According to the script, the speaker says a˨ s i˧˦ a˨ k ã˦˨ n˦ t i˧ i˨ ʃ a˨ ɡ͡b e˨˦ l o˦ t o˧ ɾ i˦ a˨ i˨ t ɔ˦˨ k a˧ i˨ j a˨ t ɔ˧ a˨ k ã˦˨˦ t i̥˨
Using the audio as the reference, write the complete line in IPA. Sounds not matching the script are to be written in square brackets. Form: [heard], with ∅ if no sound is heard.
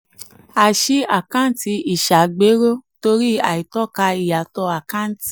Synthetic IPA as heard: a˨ [ʃ] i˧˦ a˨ k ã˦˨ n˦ t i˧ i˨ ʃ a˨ ɡ͡b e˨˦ [ɾ] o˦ t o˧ ɾ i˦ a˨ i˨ t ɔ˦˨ k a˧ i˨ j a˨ t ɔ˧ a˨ k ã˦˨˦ t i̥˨